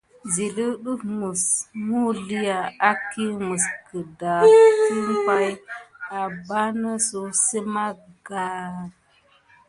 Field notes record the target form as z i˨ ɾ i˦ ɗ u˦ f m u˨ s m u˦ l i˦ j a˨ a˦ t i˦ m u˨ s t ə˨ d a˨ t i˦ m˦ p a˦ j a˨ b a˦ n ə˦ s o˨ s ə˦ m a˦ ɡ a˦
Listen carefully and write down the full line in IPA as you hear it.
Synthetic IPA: z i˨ l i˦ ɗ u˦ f m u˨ s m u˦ l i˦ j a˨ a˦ k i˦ m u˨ s k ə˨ d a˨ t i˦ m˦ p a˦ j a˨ b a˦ n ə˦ s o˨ s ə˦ m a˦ ɡ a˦